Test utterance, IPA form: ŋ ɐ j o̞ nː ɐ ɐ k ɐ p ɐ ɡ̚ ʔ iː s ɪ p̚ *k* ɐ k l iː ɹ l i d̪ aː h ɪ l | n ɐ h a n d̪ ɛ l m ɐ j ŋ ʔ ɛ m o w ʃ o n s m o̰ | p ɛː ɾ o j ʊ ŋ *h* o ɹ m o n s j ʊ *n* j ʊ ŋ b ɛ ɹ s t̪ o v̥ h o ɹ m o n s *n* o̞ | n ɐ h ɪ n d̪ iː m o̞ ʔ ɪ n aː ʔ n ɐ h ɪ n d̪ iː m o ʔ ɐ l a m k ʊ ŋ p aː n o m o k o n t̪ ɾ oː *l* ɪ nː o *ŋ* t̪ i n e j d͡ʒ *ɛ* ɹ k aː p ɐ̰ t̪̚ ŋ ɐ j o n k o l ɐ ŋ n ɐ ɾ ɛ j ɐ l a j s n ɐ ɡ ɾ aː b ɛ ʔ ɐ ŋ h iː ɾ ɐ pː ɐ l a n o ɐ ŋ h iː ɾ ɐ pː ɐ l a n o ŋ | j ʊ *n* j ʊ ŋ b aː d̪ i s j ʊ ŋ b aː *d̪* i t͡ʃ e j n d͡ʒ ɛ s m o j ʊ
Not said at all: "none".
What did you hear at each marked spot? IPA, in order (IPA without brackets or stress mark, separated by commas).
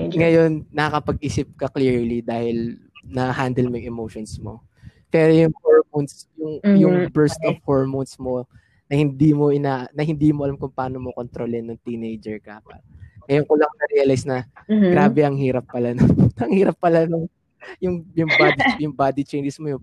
k, h, ŋ, m, l, ŋ, ɛ, ŋ, d̪